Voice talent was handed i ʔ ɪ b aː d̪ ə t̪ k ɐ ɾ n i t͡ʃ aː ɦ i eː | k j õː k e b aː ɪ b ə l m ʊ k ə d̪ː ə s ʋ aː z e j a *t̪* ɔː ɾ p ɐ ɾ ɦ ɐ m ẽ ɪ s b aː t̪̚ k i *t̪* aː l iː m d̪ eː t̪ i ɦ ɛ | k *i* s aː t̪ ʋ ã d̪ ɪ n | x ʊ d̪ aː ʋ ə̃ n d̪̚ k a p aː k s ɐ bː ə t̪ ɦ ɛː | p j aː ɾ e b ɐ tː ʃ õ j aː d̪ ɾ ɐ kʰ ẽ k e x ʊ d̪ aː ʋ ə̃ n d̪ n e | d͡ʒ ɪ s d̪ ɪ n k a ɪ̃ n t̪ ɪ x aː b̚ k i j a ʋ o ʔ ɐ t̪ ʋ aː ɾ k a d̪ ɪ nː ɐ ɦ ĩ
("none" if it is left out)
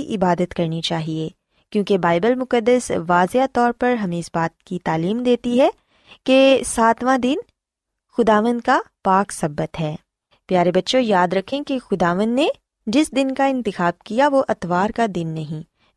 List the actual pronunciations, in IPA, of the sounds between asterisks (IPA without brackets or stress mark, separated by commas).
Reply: t̪, t̪, e